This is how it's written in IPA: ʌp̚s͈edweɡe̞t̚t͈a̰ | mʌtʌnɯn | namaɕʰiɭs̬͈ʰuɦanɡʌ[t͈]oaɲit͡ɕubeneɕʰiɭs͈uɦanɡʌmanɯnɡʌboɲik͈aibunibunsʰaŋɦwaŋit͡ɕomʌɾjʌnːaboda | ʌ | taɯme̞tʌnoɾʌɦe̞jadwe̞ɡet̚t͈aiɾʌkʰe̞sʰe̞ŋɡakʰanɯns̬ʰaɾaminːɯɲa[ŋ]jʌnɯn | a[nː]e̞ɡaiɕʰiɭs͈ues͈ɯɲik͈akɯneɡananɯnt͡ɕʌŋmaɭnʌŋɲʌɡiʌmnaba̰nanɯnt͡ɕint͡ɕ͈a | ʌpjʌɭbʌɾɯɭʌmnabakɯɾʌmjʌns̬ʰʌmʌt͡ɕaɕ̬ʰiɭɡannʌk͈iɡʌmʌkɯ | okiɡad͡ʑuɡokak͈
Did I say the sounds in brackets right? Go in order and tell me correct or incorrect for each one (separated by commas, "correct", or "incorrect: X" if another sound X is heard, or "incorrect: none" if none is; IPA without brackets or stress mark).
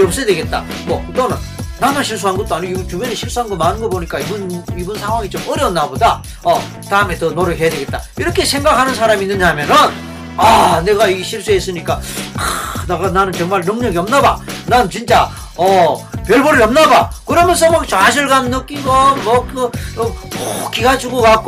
correct, incorrect: m, incorrect: n